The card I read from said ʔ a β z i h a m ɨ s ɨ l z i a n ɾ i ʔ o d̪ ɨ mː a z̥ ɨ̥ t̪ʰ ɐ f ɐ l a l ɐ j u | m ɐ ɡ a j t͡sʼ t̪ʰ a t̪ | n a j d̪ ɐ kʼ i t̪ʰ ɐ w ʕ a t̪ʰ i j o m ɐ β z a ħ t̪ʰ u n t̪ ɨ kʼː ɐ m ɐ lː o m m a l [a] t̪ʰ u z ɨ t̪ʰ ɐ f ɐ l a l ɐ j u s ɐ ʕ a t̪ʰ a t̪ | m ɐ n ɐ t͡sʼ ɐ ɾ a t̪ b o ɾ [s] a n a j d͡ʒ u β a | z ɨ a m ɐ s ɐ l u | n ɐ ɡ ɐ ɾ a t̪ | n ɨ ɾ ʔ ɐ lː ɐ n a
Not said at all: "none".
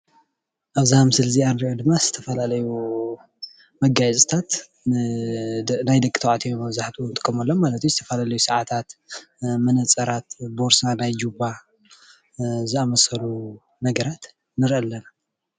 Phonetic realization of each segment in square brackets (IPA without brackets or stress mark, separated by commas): ɐ, s